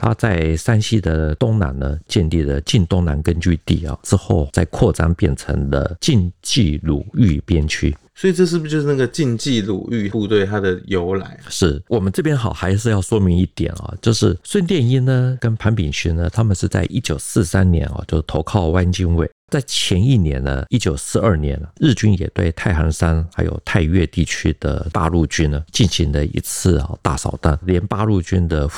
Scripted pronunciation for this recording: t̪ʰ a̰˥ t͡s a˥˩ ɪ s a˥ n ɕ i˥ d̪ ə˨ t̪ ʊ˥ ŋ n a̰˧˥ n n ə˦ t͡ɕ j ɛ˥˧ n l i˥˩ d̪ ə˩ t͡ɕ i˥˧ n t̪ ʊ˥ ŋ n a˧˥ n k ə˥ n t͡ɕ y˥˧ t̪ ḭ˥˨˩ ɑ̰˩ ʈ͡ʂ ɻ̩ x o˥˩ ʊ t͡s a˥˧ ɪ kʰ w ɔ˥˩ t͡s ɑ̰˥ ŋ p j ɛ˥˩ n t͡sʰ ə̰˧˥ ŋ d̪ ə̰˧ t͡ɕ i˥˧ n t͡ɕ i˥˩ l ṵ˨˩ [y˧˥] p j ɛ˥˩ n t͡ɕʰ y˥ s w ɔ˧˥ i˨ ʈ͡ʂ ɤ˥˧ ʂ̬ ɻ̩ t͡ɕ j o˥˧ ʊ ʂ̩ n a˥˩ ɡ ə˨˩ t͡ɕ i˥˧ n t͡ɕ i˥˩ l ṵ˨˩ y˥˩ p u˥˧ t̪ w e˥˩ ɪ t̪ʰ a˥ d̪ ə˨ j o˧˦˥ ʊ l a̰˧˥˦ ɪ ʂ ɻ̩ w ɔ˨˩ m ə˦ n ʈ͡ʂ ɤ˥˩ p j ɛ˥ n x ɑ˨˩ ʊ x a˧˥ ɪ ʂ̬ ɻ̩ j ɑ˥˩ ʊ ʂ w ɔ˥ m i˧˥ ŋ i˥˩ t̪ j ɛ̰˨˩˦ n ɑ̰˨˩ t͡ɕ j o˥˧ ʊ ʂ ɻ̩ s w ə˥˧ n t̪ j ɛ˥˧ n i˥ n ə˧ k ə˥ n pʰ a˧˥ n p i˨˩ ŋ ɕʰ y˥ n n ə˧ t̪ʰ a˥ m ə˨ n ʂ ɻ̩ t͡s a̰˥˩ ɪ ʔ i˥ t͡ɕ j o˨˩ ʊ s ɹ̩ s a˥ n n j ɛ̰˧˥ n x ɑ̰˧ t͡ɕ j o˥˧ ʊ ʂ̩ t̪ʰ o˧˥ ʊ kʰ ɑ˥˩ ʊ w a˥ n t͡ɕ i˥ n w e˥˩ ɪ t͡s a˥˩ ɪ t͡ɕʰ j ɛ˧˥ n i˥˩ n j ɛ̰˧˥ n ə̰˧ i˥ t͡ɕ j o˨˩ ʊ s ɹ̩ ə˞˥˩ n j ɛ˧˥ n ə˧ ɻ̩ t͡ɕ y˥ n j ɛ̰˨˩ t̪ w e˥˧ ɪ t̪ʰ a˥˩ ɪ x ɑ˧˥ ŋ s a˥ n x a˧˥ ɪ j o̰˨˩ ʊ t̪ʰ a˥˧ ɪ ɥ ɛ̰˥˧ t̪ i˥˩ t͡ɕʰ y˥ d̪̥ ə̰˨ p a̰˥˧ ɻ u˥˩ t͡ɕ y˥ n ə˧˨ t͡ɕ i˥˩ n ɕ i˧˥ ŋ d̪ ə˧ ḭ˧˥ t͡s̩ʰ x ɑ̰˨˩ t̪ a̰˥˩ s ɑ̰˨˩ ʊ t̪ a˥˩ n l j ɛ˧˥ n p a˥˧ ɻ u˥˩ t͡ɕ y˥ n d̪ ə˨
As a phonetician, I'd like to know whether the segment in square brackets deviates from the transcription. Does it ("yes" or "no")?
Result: yes